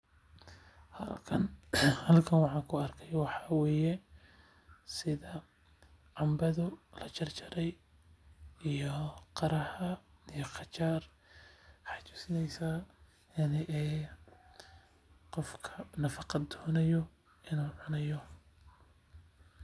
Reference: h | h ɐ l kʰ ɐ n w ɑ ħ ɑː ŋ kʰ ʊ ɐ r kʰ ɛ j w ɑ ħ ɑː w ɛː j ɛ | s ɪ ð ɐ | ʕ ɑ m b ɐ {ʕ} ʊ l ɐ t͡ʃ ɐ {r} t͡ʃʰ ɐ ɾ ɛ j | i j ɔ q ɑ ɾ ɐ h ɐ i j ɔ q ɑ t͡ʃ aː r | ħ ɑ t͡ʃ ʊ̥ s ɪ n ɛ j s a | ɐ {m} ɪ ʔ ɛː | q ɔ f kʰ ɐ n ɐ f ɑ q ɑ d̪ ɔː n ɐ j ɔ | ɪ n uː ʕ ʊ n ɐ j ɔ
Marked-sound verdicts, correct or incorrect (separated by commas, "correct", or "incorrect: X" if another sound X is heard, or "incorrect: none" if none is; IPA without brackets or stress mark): incorrect: ð, correct, incorrect: n